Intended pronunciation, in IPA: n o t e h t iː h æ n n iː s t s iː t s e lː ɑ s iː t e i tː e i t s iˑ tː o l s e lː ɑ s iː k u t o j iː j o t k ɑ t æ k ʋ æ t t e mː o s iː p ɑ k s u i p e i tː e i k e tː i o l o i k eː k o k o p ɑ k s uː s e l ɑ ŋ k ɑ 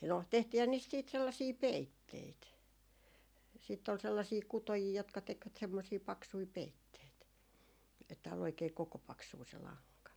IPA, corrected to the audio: n o t e h t iː h æ n n iː s t s iː t s e lː ɑ s iː p e i tː e i t s iˑ tː o l s e lː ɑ s iː k u t o j iː j o t k ɑ t e k ʋ æ t s e mː o s iː p ɑ k s u i p e i tː e i t e tː æ o l o i k eː k o k o p ɑ k s uː s e l ɑ ŋ k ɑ